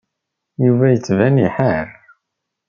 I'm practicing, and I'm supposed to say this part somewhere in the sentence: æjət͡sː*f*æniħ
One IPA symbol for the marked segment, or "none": v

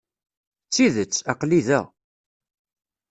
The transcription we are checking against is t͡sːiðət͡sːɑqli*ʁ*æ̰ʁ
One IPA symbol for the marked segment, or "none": ð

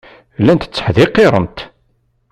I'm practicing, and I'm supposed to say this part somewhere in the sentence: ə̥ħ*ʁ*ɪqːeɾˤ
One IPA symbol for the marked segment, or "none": ð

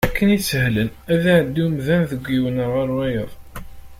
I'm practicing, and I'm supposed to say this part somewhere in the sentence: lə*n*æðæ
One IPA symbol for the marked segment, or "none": n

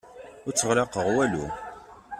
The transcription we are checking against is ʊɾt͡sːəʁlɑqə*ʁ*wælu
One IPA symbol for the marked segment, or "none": ʁ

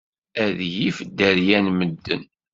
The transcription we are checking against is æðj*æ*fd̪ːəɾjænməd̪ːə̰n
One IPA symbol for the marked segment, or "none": i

